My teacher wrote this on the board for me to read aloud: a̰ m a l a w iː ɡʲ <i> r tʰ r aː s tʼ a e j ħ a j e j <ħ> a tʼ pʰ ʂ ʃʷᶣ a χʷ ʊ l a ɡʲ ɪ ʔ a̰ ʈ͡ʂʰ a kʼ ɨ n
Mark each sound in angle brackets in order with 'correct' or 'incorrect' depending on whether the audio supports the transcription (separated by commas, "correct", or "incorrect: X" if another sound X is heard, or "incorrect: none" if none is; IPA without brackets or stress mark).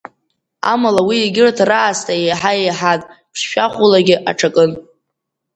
incorrect: ɪ, correct